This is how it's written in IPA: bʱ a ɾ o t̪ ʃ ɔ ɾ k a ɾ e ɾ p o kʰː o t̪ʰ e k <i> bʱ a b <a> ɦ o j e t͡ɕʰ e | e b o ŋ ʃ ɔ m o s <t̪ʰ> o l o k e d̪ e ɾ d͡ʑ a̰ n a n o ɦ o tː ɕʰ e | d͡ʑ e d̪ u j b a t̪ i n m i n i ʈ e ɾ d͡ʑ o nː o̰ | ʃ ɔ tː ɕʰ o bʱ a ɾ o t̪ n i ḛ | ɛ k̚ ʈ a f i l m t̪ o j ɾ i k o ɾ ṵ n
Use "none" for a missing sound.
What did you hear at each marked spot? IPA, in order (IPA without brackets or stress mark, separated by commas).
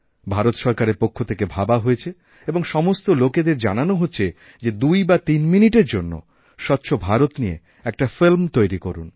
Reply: e, a, t̪